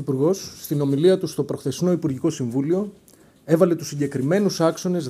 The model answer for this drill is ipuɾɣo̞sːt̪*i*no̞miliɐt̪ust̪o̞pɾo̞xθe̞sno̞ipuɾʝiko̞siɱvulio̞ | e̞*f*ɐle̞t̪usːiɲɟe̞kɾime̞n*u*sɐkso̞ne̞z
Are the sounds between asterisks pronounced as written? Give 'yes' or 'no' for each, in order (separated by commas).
yes, no, yes